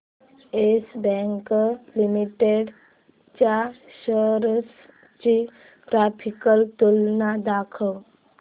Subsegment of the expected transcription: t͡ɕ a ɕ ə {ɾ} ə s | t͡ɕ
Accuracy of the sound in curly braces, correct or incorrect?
correct